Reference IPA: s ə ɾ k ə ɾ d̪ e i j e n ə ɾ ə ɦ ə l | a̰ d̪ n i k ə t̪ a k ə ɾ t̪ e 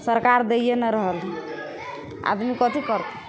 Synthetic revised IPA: s ə ɾ k a ɾ d̪ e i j e n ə ɾ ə ɦ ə l | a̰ d̪ m i k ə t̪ i k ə ɾ t̪ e